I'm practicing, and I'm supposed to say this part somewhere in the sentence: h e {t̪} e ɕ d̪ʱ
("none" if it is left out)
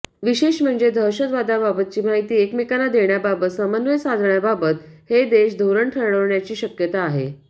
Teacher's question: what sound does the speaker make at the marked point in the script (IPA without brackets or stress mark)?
d̪